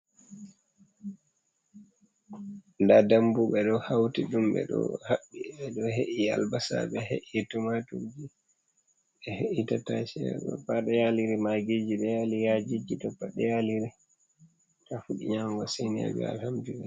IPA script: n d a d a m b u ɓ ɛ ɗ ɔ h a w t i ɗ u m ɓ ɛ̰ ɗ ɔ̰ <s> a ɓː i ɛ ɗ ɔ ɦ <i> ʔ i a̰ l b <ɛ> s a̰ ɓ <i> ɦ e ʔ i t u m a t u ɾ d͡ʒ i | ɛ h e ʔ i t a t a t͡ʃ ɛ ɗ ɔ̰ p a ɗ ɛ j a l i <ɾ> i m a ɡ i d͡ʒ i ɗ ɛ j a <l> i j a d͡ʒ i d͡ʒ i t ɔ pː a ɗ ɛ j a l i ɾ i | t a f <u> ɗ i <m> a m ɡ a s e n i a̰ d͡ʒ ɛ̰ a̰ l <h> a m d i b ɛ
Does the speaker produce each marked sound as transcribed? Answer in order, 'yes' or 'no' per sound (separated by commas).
no, no, no, no, yes, yes, yes, no, yes